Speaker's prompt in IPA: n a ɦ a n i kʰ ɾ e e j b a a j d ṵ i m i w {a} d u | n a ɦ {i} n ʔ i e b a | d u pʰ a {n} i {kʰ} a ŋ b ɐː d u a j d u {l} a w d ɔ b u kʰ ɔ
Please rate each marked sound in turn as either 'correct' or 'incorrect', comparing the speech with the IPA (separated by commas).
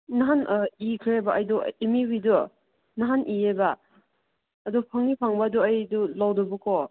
incorrect, incorrect, incorrect, incorrect, correct